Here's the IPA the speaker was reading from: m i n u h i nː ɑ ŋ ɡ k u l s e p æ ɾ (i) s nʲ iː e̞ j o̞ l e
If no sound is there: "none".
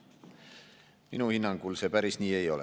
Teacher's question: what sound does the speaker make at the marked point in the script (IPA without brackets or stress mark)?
i